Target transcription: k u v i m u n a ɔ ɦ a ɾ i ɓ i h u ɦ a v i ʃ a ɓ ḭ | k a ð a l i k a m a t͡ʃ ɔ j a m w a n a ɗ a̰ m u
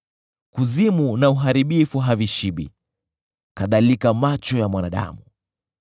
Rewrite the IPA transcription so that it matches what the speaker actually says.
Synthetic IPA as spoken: k u z i m u n a u ɦ a ɾ i ɓ i f u ɦ a v i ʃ i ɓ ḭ | k a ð a l i k a m a t͡ʃ ɔ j a m w a n a ɗ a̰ m u

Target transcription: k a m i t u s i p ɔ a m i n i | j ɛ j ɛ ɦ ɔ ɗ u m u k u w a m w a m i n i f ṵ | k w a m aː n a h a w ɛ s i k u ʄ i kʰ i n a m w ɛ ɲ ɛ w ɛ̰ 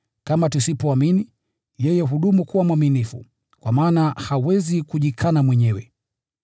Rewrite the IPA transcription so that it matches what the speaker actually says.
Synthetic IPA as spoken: k a m a t u s i p ɔ a m i n i | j ɛ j ɛ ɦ u ɗ u m u k u w a m w a m i n i f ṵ | k w a m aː n a h a w ɛ z i k u ʄ i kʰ a n a m w ɛ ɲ ɛ w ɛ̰

